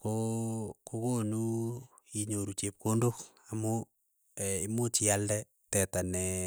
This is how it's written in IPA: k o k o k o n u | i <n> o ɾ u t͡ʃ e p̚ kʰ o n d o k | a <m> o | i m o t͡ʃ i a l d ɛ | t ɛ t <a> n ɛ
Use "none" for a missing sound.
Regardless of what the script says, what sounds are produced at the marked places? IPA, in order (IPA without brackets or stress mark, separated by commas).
ɲ, m, a